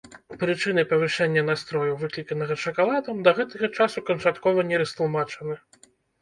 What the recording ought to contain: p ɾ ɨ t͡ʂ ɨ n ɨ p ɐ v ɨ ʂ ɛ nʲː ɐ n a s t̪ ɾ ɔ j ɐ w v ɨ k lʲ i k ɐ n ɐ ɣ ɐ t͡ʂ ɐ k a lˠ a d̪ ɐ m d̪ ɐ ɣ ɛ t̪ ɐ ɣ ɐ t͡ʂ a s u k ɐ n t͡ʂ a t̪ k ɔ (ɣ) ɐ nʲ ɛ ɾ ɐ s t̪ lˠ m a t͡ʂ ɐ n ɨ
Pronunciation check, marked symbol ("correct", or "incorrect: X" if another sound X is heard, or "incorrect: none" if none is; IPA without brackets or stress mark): incorrect: v